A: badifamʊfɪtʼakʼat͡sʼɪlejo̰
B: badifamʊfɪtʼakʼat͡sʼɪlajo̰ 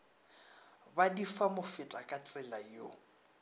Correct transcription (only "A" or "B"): B